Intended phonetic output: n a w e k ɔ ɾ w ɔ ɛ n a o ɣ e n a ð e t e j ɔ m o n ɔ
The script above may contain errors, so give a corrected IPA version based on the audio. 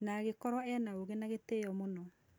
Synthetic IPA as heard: n a ɣ e k ɔ ɾ w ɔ ɛ n a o ɣ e n a ɣ e t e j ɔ m o n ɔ